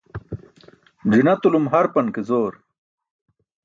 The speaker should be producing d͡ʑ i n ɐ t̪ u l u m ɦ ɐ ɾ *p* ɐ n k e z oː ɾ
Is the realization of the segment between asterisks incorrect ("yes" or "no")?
no